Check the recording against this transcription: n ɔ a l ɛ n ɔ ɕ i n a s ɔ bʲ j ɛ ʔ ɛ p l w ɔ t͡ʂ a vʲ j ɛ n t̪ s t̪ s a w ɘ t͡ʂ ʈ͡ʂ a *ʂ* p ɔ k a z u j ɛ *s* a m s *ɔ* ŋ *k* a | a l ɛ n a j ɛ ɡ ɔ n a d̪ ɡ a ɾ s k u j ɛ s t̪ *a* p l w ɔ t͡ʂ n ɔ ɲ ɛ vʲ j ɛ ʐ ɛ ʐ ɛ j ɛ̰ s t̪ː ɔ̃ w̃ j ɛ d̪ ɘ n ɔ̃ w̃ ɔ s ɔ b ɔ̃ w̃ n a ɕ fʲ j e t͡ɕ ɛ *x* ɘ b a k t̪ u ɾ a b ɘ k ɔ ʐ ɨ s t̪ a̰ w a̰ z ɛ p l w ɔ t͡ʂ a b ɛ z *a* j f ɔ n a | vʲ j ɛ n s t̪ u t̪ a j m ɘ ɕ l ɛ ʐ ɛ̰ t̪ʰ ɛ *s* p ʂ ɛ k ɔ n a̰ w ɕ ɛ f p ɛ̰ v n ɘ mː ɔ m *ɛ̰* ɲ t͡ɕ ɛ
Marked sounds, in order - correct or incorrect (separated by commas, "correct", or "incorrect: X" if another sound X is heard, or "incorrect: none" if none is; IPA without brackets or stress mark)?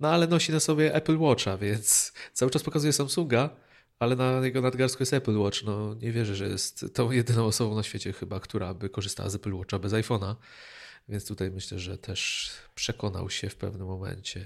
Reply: incorrect: s, correct, incorrect: u, incorrect: ɡ, incorrect: ɛ, correct, correct, incorrect: ʂ, correct